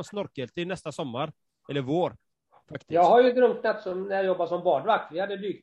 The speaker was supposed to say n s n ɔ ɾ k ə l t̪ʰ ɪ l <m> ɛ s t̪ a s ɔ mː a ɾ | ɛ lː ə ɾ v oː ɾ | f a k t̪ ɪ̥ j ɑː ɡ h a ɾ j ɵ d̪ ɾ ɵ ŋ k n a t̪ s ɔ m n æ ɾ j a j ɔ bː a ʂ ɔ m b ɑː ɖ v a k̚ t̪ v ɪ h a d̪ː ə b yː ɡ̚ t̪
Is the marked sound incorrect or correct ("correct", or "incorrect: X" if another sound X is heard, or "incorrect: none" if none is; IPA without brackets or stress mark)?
incorrect: n